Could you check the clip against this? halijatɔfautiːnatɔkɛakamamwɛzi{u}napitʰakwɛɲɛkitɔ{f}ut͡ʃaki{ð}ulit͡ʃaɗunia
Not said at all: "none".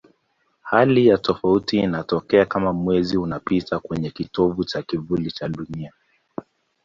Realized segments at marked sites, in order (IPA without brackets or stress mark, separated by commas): u, v, v